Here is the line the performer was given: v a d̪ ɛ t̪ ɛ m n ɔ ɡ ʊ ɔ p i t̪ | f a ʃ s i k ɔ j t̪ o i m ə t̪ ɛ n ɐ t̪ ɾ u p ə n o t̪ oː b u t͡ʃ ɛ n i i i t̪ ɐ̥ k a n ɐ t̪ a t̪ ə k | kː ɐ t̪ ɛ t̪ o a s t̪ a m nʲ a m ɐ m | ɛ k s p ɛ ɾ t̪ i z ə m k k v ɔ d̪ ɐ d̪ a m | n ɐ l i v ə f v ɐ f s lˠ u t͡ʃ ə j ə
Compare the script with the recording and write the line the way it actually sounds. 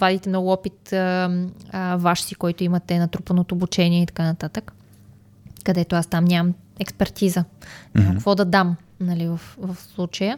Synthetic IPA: v a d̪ i t̪ ɛ m n ɔ ɡ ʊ ɔ p i t̪ | v a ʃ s i k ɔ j t̪ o i m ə t̪ ɛ n ɐ t̪ ɾ u p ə n o t̪ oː b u t͡ʃ ɛ n i ɛ i t̪ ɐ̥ k a n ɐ t̪ a t̪ ə k | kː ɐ d̪ ɛ t̪ o a s t̪ a m nʲ a m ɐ m | ɛ k s p ɛ ɾ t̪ i z ə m k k v ɔ d̪ ɐ d̪ a m | n ɐ l i v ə f v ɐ f s lˠ u t͡ʃ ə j ə